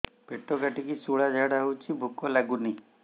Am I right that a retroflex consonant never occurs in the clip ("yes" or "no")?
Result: no